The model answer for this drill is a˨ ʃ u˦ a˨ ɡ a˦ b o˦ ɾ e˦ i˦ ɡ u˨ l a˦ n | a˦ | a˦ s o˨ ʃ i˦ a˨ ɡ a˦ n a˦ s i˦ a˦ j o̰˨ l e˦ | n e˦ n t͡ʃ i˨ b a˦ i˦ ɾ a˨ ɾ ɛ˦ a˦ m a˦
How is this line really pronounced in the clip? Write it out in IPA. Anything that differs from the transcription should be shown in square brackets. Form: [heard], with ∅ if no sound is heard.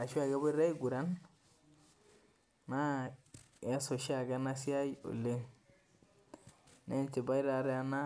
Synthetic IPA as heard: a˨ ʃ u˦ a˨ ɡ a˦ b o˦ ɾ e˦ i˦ ɡ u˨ [ɾ] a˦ n | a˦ | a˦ s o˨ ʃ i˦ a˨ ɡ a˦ n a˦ s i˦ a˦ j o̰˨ l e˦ | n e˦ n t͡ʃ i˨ b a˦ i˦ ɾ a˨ ɾ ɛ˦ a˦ [n] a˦

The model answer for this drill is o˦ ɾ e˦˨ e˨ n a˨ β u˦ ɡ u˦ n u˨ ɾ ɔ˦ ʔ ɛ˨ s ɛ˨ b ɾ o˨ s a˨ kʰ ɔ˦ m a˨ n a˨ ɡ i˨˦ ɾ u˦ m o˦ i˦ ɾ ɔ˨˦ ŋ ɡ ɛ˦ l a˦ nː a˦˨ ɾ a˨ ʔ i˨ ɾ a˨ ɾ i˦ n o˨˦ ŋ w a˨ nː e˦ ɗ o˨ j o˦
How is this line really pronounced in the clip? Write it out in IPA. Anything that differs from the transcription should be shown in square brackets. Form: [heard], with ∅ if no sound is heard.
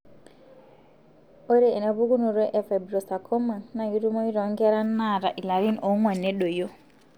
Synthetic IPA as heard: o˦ ɾ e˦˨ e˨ n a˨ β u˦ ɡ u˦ n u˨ ɾ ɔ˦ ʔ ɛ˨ [f] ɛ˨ b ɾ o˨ s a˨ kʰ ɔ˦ m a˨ n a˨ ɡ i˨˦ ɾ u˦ m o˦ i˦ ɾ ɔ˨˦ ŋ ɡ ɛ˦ [ɾ] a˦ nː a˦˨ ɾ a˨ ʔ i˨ [l] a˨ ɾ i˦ n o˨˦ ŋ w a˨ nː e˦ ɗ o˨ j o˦

